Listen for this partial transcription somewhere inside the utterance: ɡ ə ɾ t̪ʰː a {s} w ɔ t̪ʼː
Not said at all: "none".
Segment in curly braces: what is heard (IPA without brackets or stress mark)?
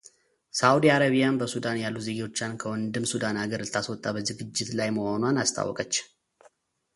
s